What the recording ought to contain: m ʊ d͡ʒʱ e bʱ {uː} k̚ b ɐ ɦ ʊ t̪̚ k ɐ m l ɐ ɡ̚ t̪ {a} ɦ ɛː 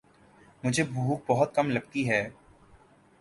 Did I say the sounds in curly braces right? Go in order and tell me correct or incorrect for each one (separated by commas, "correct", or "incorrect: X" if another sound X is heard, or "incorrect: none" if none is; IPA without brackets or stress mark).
correct, incorrect: i